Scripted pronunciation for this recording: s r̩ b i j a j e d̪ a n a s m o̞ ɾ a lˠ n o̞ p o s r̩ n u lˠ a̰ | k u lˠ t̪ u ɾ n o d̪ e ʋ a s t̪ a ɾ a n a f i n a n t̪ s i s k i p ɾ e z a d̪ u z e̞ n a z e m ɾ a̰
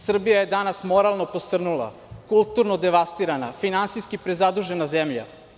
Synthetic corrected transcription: s r̩ b i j a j e d̪ a n a s m o̞ ɾ a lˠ n o̞ p o s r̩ n u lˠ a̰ | k u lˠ t̪ u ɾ n o d̪ e ʋ a s t̪ i ɾ a n a f i n a n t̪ s i s k i p ɾ e z a d̪ u ʒ e̞ n a z e m ʎ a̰